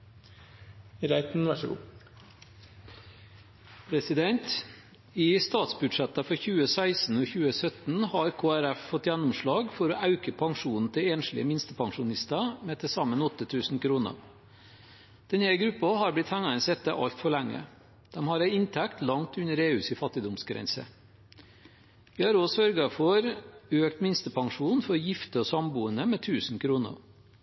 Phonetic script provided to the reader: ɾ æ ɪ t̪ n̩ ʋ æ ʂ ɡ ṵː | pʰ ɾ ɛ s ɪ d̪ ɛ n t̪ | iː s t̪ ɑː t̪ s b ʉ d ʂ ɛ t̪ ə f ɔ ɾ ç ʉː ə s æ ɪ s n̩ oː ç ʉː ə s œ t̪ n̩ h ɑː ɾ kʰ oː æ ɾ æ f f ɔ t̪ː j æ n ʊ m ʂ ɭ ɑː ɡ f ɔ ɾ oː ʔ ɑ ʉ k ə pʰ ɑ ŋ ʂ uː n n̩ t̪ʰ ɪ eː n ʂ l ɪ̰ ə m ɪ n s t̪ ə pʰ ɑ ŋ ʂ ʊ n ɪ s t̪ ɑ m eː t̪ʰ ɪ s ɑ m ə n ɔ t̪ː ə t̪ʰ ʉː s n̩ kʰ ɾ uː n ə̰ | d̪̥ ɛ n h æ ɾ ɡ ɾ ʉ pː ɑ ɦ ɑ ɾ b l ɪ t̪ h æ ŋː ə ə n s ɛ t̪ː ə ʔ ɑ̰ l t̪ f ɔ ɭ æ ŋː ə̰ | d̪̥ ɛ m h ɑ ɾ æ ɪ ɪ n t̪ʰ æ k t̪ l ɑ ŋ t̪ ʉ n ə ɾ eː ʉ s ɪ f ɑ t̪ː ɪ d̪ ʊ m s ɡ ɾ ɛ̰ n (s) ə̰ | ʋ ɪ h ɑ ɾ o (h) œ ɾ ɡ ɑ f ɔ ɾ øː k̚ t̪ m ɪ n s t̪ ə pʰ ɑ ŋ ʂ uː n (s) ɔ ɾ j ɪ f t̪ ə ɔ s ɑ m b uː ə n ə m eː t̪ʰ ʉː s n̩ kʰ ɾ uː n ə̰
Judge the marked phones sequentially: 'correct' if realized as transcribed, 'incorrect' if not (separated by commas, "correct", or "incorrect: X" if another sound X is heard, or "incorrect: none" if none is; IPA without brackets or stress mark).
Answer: correct, incorrect: s, incorrect: f